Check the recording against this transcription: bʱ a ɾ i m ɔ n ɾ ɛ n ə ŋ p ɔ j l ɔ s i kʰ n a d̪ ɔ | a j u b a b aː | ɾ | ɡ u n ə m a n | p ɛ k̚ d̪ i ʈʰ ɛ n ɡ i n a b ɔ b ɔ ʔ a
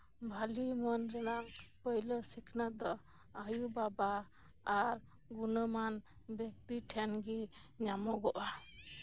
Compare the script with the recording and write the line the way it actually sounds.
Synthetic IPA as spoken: bʱ a l i m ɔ n ɾ ɛ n a ŋ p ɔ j l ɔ s i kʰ n a d̪ ɔ | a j u b a b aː | ɾ | ɡ u n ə m a n | b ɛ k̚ t̪ i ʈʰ ɛ n ɡ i ɲ a m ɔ ɡ ɔ ʔ a